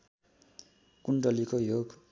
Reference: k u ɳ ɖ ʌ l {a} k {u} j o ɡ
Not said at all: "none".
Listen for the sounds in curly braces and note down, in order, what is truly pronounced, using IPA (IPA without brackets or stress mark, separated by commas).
i, o